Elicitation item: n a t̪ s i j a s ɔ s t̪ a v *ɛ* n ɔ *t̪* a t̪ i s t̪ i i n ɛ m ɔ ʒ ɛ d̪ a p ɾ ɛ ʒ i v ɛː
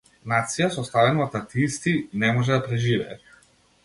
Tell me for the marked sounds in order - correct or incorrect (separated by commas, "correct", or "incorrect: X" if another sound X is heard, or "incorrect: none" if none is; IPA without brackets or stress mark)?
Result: correct, correct